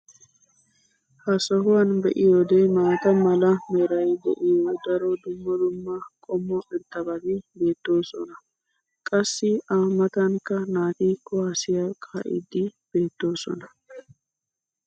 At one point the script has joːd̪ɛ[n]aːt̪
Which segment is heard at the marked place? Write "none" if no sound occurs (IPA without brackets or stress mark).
m